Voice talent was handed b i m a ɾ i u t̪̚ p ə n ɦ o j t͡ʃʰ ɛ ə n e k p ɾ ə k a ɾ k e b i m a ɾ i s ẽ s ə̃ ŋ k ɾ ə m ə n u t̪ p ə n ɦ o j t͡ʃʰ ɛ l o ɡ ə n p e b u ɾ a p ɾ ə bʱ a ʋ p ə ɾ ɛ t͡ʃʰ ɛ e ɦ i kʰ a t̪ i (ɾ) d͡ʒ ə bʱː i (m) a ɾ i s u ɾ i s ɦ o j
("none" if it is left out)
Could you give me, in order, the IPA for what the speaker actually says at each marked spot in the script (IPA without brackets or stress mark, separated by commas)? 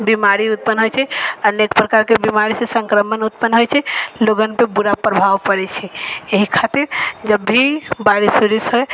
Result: ɾ, b